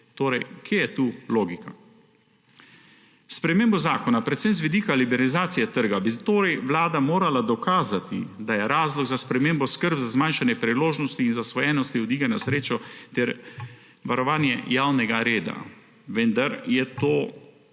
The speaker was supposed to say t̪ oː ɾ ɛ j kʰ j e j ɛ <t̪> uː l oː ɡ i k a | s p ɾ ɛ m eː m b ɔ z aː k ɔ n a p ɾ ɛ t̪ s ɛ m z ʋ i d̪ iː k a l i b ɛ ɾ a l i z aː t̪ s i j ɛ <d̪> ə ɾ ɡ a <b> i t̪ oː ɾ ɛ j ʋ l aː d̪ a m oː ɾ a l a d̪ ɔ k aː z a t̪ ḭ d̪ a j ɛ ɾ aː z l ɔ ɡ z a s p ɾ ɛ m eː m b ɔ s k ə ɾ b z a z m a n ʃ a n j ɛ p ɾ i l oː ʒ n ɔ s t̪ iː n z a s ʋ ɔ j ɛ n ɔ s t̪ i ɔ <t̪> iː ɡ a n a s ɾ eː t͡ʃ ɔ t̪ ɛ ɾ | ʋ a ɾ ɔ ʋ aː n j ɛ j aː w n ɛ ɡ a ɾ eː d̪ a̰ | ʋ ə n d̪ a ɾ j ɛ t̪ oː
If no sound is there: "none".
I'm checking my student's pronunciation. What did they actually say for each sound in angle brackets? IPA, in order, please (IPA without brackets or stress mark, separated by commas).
t̪, t̪, b, d̪